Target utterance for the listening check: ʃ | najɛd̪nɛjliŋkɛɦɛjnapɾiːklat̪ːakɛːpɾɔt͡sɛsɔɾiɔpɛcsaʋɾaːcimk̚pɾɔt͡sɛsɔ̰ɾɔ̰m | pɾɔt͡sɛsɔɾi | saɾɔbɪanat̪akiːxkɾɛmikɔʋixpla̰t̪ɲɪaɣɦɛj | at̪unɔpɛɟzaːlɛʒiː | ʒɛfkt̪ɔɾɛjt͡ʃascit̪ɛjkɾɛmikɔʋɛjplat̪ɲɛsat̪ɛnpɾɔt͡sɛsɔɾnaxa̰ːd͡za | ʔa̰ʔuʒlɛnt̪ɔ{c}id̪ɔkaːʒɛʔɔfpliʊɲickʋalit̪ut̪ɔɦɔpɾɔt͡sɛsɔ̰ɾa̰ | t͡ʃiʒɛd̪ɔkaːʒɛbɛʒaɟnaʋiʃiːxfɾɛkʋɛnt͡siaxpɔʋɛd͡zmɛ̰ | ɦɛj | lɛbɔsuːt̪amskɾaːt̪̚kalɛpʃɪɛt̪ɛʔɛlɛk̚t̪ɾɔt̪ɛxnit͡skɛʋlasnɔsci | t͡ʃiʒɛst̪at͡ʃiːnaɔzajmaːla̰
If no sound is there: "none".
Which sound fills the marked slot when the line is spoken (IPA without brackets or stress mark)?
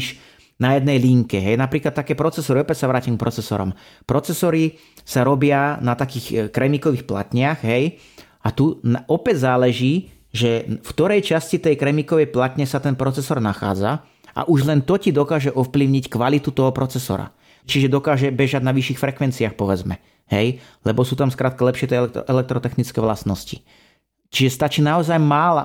c